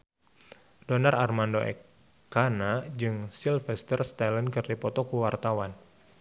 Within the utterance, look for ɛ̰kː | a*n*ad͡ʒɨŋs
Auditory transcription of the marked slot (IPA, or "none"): n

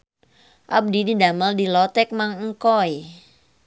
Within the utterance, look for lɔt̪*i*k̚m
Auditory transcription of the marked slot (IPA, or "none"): ɛ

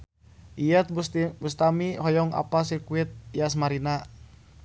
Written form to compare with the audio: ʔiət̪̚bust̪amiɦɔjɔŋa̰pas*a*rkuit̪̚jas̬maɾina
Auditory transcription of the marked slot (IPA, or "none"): i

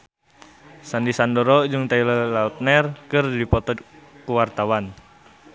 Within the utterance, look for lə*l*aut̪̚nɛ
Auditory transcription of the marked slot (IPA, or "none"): l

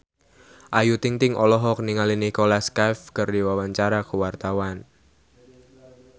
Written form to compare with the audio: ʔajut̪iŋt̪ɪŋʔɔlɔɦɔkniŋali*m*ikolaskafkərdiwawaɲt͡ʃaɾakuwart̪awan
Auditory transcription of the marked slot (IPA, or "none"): n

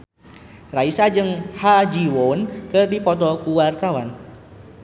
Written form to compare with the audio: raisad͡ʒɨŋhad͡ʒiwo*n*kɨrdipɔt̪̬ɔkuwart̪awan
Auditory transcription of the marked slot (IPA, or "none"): n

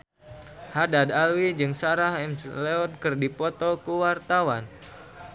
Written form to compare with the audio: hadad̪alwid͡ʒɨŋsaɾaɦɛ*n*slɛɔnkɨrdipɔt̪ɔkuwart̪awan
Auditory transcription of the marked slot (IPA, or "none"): m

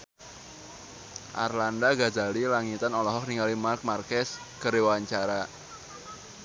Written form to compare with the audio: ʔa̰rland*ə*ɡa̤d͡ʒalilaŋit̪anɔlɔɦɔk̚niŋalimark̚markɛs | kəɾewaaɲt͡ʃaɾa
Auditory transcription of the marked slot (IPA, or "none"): a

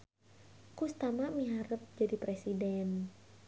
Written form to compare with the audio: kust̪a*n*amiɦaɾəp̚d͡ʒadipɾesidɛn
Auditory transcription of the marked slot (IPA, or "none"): m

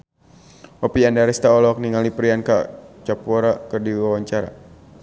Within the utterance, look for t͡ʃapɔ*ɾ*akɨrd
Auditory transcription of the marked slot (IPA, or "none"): ɾ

